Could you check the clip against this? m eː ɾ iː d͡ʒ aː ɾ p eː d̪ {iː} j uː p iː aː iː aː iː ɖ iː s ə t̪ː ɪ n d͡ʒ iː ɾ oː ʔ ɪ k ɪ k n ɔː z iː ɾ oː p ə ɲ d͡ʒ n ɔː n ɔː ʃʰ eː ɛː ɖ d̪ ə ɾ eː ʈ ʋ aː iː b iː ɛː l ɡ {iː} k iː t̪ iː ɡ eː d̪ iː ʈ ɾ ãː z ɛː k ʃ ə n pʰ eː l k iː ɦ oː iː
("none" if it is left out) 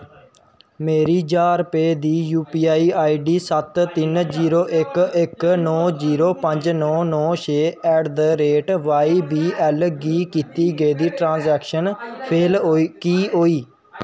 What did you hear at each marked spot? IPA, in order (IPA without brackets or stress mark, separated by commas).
iː, iː